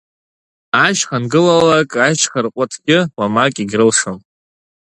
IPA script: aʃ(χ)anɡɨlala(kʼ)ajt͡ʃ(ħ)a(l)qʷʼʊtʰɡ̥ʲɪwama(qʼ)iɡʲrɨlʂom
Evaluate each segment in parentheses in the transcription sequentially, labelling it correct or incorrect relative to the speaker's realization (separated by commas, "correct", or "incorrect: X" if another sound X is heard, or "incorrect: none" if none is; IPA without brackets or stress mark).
correct, correct, incorrect: χ, incorrect: r, incorrect: kʼ